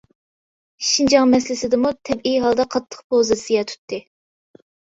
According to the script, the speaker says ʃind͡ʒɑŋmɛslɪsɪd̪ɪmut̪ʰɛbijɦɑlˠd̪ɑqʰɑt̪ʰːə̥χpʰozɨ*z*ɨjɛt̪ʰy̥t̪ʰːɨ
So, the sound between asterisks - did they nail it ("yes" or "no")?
no